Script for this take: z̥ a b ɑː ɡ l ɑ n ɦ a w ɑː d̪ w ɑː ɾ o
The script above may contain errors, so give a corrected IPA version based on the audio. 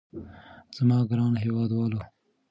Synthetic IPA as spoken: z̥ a m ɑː ɡ ɾ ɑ n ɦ e w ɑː d̪ w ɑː l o